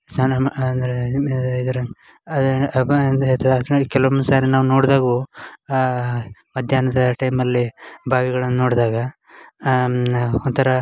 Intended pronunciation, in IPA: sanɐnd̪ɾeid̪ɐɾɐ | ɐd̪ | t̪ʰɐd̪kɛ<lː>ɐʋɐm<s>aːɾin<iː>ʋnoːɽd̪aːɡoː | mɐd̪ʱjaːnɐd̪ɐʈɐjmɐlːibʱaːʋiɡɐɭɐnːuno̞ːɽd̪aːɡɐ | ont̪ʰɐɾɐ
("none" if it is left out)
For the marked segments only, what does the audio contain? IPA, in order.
l, s, aː

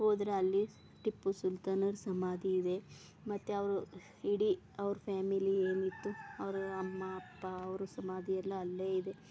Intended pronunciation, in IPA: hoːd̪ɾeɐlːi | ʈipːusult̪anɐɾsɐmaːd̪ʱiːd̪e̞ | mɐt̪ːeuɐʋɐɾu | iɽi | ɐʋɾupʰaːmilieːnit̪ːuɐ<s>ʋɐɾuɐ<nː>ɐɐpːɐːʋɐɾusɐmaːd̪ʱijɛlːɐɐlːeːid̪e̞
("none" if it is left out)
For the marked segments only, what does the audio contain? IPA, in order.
none, mː

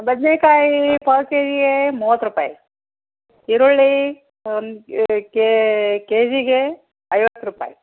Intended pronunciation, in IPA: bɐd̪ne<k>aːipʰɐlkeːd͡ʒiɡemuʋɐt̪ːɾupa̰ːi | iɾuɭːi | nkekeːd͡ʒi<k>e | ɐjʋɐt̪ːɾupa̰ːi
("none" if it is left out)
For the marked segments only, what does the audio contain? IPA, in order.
k, ɡ

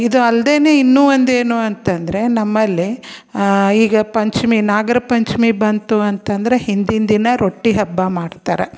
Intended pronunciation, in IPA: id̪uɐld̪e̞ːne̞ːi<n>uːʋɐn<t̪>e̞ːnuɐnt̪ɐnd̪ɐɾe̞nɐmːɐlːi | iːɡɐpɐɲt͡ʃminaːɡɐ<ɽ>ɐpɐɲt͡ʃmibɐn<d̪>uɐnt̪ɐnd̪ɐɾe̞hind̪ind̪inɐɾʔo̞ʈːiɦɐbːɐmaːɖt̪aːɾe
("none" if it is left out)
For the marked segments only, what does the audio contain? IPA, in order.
nː, d̪, ɾ, t̪

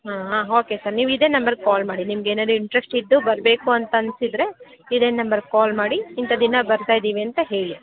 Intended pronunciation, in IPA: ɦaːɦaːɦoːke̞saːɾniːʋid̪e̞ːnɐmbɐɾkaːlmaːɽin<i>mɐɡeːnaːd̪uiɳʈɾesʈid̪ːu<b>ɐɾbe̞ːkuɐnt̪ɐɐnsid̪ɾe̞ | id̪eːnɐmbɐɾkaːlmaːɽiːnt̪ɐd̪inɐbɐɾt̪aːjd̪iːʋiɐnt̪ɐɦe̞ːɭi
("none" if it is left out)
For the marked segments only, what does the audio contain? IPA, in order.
i, b

